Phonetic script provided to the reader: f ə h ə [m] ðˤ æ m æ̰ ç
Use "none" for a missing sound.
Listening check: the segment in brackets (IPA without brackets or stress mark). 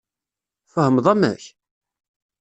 m